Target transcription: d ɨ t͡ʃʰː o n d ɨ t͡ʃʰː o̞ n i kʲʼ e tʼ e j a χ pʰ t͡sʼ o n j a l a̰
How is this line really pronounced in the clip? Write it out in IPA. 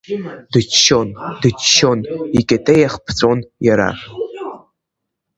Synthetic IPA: d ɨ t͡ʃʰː o n d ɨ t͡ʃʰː o̞ n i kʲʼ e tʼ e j a χ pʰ t͡sʼ o n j a ɾ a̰